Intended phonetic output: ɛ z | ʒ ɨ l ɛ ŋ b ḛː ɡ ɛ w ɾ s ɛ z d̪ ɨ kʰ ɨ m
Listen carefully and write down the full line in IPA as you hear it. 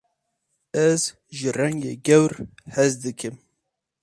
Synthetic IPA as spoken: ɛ z | ʒ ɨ r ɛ ŋ ɡ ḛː ɡ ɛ w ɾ h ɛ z d̪ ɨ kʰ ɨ m